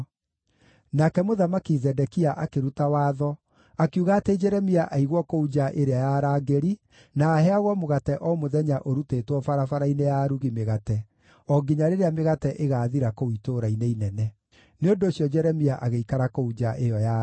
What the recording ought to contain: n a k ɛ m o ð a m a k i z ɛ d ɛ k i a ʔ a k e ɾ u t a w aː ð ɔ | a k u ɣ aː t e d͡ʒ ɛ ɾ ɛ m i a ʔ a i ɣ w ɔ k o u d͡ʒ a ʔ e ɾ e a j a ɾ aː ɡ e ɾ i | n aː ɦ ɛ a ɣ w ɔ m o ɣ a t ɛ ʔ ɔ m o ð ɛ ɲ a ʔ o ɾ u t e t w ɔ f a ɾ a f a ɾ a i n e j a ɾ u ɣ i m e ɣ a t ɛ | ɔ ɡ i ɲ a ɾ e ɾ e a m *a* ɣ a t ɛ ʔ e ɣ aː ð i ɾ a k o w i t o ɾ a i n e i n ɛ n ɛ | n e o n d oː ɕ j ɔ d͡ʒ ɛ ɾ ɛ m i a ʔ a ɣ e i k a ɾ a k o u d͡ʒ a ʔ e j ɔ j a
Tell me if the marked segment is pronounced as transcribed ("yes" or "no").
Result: no